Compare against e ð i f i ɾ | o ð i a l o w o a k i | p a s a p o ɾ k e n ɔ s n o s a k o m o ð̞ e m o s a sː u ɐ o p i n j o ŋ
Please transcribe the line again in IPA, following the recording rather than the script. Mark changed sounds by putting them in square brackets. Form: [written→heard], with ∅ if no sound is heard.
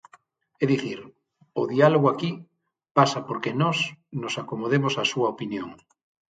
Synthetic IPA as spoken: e ð i [f→θ] i ɾ | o ð i a l o [w→ɣ] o a k i | p a s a p o ɾ k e n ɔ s n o s a k o m o ð̞ e m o s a [sː→s] u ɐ o p i n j o ŋ

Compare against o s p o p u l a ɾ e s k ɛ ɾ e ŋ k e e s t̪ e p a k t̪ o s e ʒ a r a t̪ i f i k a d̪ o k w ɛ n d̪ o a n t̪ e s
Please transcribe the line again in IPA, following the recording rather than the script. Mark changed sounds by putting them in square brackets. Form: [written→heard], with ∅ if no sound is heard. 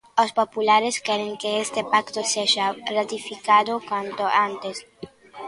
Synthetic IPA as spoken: o s p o p u l a ɾ e s k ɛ ɾ e ŋ k e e s t̪ e p a k t̪ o s e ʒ a r a t̪ i f i k a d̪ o k w [ɛ→a] n [d̪→t̪] o a n t̪ e s

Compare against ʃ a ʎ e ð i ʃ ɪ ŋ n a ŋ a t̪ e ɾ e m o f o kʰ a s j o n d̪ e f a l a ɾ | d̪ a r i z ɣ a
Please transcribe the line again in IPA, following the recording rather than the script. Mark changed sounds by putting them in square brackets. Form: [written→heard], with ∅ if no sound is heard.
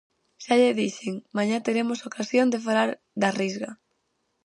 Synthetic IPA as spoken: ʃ a ʎ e ð i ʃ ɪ ŋ [n→m] a [ŋ→ɲ] a t̪ e ɾ e m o [f→s] o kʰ a s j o n d̪ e f a l a ɾ | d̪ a r i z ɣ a

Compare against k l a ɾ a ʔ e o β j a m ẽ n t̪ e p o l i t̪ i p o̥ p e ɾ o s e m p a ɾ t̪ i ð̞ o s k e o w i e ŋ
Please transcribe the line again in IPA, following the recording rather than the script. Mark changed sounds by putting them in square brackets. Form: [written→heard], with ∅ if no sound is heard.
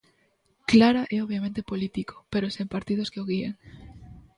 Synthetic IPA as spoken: k l a ɾ a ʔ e o β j a m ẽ n t̪ e p o l i t̪ i [p→k] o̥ p e ɾ o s e m p a ɾ t̪ i ð̞ o s k e o [w→ɣ] i e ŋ

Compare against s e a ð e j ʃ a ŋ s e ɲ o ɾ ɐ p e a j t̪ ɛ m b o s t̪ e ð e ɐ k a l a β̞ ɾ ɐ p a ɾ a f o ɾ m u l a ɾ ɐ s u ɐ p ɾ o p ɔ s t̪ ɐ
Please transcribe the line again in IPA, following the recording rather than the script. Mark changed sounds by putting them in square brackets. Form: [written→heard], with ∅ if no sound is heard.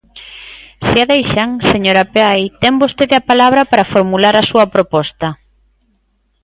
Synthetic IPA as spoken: s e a ð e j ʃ a ŋ s e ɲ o ɾ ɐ p e a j t̪ ɛ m b o s t̪ e ð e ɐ [k→p] a l a β̞ ɾ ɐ p a ɾ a f o ɾ m u l a ɾ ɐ s u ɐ p ɾ o p ɔ s t̪ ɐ

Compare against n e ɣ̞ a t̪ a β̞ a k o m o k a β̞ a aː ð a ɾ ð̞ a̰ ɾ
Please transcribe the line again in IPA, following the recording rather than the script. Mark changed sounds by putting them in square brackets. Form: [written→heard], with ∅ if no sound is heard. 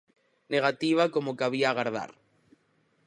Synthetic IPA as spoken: n e ɣ̞ a t̪ [a→i] β̞ a k o m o k a β̞ [a→i] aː [ð→ɣ] a ɾ ð̞ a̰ ɾ

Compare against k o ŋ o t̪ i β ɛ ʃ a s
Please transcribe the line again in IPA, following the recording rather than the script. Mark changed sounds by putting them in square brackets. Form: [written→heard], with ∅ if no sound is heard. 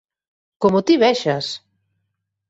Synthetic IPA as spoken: k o [ŋ→m] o t̪ i β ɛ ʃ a s

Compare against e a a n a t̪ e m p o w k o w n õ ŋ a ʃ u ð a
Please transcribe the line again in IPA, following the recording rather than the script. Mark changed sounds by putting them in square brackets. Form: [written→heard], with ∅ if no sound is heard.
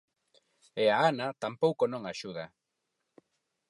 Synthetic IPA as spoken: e a a n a t̪ [e→a] m p o w k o [w→∅] n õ ŋ a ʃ u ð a

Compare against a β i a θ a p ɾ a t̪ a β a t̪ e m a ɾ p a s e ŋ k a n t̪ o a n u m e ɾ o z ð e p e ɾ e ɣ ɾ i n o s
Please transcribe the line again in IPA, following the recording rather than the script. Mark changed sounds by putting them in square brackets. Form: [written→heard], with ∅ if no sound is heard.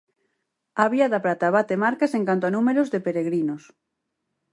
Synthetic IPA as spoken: a β i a [θ→ð] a p ɾ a t̪ a β a t̪ e m a ɾ [p→k] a s e ŋ k a n t̪ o a n u m e ɾ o z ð e p e ɾ e ɣ ɾ i n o s

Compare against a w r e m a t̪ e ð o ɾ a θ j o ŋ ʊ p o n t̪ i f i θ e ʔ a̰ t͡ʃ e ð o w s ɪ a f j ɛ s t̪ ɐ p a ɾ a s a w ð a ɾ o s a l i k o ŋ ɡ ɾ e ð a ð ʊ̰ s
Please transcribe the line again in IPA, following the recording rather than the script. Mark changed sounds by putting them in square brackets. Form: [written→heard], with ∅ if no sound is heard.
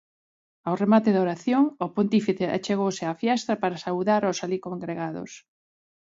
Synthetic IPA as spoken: a w r e m a t̪ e ð o ɾ a θ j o ŋ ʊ p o n t̪ i f i θ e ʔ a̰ t͡ʃ e [ð→ɣ] o w s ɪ a f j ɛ s t̪ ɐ p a ɾ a s a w ð a ɾ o s a l i k o ŋ ɡ ɾ e [ð→ɣ] a ð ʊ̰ s

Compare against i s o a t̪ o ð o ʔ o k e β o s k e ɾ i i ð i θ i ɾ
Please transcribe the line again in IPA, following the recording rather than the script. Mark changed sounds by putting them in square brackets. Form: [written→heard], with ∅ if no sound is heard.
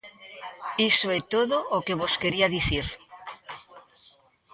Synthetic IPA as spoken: i s o [a→e] t̪ o ð o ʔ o k e β o s k e ɾ i [i→a] ð i θ i ɾ

